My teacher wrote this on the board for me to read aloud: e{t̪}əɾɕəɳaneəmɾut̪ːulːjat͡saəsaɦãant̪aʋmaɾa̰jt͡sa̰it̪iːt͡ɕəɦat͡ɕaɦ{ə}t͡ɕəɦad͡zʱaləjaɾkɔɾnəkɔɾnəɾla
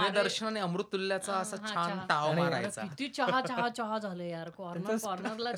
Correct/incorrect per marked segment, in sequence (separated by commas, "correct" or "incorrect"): incorrect, incorrect